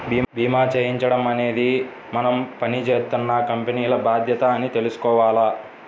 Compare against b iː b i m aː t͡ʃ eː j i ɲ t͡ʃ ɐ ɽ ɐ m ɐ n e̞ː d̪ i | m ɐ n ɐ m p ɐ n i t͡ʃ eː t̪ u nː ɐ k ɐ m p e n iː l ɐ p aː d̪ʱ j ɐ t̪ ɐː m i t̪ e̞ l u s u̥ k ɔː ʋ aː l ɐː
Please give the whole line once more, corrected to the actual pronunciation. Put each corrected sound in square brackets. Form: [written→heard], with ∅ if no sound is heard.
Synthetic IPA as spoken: b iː b [i→iː] m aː t͡ʃ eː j i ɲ t͡ʃ ɐ ɽ ɐ m ɐ n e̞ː d̪ i | m ɐ n ɐ m p ɐ n i t͡ʃ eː t̪ u nː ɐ k ɐ m p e n iː l ɐ [p→b] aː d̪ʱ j ɐ t̪ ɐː [m→n] i t̪ e̞ l u s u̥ k ɔː ʋ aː l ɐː